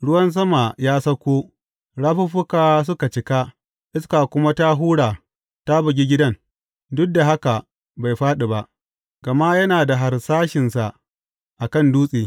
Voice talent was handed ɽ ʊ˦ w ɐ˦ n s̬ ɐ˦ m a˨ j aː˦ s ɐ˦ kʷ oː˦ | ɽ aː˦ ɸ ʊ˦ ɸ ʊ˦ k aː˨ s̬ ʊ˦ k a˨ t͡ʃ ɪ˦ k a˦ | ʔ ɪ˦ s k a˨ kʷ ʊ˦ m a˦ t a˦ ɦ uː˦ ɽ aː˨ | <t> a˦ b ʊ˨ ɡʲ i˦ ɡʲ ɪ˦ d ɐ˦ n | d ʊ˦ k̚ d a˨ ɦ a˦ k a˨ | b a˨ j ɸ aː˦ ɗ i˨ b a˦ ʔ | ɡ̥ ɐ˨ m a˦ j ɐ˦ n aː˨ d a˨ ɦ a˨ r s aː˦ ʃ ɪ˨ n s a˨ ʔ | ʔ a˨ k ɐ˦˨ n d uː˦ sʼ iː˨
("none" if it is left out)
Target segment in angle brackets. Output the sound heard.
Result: t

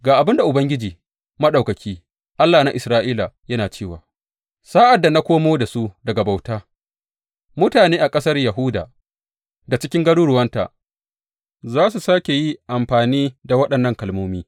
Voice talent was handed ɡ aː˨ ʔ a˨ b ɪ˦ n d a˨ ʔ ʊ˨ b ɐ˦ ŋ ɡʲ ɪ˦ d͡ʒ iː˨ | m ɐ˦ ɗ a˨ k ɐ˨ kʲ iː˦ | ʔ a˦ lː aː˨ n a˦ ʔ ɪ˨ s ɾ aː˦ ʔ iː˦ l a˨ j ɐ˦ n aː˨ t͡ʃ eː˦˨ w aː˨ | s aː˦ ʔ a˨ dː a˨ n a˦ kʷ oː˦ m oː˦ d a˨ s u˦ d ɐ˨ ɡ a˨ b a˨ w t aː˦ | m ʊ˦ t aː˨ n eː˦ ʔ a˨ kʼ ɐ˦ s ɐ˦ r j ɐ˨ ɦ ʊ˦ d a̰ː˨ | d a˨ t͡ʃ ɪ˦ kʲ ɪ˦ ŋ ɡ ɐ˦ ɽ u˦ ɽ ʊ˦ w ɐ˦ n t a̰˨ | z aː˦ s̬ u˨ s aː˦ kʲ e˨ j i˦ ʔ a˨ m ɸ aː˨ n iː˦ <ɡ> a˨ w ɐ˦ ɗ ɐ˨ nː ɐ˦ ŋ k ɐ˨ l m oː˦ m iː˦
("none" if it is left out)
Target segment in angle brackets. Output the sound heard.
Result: d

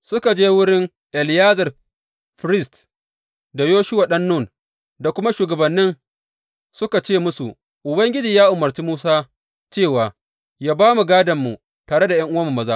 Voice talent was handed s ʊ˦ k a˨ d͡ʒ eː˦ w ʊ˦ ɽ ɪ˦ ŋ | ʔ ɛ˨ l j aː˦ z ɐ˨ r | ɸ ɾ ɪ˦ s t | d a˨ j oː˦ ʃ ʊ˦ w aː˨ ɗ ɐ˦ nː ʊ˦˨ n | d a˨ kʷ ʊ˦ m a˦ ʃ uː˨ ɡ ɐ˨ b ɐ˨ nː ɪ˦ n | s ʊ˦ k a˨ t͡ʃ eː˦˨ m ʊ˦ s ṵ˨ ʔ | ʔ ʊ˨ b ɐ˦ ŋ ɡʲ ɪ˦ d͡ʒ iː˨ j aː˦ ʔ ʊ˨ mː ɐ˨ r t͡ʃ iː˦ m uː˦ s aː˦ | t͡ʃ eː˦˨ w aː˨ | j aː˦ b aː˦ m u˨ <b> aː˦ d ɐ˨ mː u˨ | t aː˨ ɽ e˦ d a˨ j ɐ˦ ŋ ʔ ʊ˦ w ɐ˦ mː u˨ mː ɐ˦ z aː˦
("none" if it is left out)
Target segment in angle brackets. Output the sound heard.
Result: ɡ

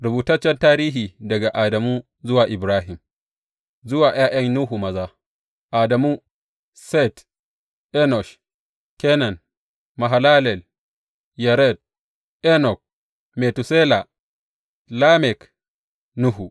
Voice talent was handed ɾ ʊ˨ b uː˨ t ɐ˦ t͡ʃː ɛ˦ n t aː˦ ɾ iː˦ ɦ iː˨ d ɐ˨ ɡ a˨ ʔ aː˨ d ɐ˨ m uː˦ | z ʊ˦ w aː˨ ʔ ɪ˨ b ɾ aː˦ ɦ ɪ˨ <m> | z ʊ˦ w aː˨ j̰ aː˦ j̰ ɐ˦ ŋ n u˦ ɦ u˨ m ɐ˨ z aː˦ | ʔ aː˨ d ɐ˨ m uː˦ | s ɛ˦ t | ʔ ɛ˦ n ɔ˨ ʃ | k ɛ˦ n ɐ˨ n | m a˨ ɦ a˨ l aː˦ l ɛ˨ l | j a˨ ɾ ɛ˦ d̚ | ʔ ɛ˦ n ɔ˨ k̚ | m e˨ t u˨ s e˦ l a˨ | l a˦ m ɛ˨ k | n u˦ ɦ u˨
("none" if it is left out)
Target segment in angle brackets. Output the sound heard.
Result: m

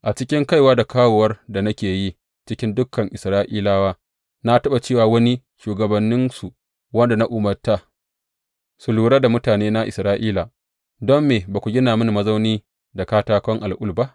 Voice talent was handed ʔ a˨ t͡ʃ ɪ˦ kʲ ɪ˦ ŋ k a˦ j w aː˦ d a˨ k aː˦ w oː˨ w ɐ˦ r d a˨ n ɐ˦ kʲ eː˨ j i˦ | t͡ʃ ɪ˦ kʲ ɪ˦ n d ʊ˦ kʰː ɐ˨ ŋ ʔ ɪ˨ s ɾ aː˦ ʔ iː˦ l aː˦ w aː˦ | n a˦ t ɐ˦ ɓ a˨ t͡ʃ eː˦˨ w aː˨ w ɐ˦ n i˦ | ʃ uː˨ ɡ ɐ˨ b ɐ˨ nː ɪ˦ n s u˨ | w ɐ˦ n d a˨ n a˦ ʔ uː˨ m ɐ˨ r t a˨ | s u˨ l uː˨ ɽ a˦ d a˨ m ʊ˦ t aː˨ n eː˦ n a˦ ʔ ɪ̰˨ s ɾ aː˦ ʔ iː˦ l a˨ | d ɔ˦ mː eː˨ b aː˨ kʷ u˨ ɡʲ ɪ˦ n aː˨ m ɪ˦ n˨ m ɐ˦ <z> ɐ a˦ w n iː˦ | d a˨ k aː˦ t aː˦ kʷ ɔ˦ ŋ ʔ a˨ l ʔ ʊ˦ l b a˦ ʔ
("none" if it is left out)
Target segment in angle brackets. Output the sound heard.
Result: z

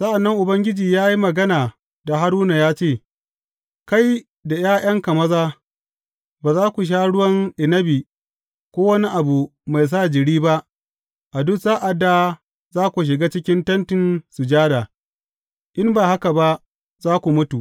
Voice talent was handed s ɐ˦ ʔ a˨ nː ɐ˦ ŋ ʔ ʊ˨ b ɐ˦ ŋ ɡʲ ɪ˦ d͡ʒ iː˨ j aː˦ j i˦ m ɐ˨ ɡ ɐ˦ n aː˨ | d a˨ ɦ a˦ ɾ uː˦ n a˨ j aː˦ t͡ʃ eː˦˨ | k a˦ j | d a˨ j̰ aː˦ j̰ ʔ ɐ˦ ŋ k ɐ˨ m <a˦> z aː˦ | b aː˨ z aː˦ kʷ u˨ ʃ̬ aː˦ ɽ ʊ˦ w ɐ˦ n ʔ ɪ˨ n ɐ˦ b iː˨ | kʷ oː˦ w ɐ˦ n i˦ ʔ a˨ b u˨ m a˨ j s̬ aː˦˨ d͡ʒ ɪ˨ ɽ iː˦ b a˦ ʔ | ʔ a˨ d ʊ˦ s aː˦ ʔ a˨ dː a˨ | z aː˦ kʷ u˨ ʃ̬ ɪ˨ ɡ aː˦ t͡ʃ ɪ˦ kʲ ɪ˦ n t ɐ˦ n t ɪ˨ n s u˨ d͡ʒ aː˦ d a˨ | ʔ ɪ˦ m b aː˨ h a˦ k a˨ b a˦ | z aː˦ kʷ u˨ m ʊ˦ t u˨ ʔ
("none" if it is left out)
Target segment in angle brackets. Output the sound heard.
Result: ɐ˦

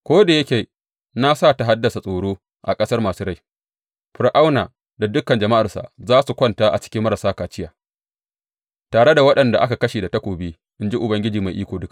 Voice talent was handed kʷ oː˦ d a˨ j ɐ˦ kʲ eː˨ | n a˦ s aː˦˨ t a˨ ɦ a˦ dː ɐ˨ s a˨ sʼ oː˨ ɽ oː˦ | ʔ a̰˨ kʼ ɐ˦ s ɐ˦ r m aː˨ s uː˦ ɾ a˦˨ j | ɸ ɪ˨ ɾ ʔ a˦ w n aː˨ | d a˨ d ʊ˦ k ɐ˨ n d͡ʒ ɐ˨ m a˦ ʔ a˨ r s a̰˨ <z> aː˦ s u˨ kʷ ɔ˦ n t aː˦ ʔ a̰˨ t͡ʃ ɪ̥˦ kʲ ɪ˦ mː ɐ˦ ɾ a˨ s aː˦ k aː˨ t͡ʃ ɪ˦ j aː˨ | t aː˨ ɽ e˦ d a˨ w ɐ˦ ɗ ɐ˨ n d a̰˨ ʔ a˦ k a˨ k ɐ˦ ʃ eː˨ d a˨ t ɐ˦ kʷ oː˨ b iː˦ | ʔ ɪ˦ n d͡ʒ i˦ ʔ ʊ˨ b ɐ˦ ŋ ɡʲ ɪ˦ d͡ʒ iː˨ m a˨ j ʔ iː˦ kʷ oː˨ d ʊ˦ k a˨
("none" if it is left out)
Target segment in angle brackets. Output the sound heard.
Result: z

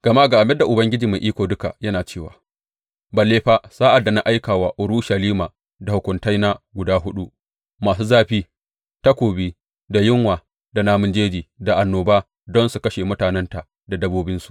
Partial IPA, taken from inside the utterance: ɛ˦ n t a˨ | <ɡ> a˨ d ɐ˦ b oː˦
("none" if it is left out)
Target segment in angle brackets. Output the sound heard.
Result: d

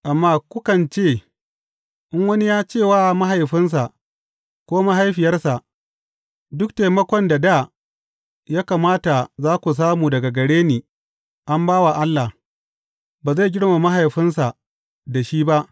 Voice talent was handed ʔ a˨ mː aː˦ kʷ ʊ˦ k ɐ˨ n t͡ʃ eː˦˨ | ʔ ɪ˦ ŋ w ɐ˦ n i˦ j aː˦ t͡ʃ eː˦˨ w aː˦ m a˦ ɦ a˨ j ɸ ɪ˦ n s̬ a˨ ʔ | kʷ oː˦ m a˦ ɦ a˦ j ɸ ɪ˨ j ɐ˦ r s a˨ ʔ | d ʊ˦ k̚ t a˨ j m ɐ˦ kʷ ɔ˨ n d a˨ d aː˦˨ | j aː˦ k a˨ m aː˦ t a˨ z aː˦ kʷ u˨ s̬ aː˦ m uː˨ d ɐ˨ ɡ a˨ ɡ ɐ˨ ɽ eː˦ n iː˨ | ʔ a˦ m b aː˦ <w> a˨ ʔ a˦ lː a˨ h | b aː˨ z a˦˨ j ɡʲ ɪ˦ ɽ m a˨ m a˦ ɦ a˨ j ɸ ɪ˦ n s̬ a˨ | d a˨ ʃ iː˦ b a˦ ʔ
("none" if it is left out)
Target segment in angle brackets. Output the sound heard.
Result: w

